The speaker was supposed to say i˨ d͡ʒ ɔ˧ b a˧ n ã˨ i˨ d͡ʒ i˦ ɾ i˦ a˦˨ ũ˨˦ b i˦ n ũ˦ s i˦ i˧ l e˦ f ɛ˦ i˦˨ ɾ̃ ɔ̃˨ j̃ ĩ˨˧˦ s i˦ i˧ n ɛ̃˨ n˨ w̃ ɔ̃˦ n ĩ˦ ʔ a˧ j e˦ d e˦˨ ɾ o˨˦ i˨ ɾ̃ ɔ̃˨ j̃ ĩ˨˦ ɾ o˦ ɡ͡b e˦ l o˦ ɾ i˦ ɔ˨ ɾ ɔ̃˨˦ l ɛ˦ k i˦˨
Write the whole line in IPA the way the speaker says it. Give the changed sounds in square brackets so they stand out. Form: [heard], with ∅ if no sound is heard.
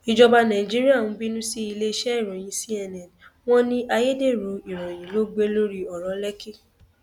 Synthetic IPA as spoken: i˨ d͡ʒ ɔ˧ b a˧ n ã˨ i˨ d͡ʒ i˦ ɾ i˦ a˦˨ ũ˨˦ b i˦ n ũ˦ s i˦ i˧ l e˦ [ʃ] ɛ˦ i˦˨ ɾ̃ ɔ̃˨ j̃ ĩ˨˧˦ s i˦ [ɛ˧] n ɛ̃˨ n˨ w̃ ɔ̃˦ n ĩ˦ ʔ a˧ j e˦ d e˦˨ ɾ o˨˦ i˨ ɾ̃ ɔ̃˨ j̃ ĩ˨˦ [l] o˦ ɡ͡b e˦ l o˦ ɾ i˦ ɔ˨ ɾ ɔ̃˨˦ l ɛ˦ k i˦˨